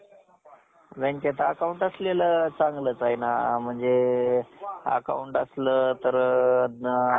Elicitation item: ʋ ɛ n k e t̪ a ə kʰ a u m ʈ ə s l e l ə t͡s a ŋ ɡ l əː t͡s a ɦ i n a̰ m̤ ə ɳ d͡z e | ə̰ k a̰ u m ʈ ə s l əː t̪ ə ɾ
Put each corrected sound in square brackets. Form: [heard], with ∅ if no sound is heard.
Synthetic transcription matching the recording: ʋ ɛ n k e t̪ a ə [k] a u [ɳ] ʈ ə s l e l ə t͡s a ŋ ɡ l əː t͡s a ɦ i n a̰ m̤ ə ɳ d͡z e | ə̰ k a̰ u [ɳ] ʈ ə s l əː t̪ ə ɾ